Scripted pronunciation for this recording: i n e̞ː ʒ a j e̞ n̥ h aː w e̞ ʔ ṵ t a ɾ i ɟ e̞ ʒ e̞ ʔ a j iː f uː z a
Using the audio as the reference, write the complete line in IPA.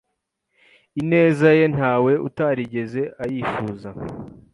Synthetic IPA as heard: i n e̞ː z a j e̞ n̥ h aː w e̞ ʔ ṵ t a ɾ i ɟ e̞ z e̞ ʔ a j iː f uː z a